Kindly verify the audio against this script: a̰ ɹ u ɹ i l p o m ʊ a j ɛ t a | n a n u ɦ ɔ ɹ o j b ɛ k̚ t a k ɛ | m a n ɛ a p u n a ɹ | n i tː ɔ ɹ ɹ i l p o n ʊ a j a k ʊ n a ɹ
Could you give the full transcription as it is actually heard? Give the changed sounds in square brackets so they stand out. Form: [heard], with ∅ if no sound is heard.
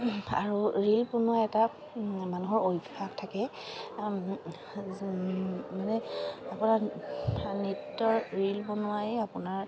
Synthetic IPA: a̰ ɹ u ɹ i l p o [n] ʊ a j ɛ t a | [m] a n u ɦ ɔ ɹ o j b [a] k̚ [tʰ] a k ɛ | m a n ɛ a p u n a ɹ | n i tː ɔ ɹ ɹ i l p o n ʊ a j a [p] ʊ n a ɹ